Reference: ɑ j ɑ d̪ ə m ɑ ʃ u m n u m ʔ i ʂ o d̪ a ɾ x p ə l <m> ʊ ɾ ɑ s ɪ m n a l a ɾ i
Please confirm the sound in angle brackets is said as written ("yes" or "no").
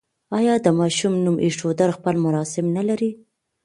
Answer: yes